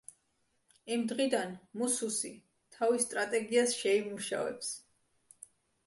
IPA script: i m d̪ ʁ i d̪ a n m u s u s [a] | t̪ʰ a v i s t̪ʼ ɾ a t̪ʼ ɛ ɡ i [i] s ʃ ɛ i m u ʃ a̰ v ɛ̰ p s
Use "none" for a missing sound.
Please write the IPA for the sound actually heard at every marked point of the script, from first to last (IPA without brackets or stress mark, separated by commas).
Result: i, a